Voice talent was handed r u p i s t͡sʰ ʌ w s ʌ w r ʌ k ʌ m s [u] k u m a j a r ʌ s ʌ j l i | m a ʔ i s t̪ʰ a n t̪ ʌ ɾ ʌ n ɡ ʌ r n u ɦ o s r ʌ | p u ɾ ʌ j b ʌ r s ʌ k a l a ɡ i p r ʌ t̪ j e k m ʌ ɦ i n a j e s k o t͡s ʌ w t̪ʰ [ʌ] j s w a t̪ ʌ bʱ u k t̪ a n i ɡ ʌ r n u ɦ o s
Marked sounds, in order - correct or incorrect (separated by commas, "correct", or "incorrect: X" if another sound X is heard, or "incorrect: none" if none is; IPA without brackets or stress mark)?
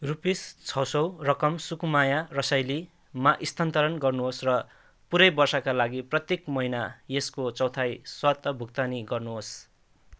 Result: correct, incorrect: a